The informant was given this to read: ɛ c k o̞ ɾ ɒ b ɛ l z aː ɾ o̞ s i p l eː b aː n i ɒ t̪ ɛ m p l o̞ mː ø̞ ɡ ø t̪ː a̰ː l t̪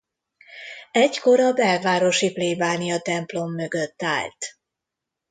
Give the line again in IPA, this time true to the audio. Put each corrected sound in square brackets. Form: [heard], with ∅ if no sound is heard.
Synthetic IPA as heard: ɛ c k o̞ ɾ ɒ b ɛ l [v] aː ɾ o̞ [ʃ] i p l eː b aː n i ɒ t̪ ɛ m p l o̞ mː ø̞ ɡ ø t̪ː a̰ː l t̪